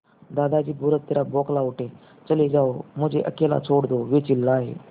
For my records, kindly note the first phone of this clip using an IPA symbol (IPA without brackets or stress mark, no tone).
d̪